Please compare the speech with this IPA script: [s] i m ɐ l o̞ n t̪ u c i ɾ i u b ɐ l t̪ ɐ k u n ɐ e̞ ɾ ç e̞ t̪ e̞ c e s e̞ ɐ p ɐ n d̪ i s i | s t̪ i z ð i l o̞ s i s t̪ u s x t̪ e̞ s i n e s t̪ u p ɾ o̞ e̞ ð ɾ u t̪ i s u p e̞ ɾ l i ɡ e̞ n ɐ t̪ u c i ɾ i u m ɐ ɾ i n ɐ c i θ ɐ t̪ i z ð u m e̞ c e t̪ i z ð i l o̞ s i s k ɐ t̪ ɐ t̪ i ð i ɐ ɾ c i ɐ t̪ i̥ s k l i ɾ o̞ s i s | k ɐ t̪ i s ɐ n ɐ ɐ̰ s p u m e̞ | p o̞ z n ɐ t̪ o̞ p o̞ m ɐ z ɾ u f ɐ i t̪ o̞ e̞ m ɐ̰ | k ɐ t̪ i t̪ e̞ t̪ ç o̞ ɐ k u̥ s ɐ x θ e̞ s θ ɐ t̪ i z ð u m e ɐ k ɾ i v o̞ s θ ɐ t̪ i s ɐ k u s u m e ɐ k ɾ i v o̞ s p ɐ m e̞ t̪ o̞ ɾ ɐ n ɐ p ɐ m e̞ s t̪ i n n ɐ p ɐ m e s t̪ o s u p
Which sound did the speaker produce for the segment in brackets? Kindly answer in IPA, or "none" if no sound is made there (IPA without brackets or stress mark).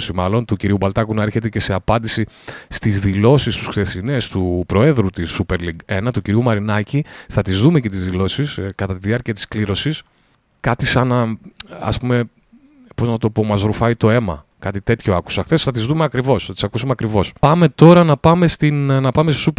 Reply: s